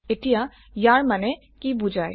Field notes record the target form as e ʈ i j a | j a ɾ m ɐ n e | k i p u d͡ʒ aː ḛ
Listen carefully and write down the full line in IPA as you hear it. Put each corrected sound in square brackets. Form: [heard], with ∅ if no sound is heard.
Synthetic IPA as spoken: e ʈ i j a | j a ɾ m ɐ n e | k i [b] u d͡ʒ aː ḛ